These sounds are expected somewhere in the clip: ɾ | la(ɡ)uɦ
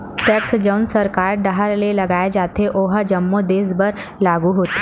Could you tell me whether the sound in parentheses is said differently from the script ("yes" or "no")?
no